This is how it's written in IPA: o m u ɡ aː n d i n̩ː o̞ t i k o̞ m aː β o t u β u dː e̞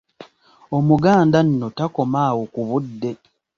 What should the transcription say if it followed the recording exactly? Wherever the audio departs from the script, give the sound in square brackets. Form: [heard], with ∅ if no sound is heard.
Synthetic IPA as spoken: o m u ɡ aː n d [a] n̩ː o̞ t [a] k o̞ m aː [w] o [k] u β u dː e̞